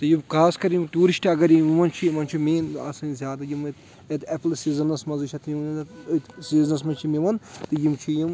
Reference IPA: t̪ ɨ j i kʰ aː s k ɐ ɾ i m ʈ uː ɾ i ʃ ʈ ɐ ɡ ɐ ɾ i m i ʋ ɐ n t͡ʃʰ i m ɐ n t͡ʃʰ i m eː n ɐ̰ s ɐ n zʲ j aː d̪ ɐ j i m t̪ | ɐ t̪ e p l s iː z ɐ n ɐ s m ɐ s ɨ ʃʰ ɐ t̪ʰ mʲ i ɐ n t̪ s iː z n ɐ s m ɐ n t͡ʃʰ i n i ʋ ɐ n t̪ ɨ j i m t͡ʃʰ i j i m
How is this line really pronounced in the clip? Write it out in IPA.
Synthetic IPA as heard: t̪ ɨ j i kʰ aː s k ɐ ɾ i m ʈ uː ɾ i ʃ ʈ ɐ ɡ ɐ ɾ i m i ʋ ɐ n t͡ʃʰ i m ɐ n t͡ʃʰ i m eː n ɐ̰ s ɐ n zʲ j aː d̪ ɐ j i m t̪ | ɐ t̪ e p l s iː z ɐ n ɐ s m ɐ z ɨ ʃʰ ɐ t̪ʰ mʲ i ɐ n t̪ s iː z n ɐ s m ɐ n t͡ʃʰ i m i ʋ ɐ n t̪ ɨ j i m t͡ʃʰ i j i m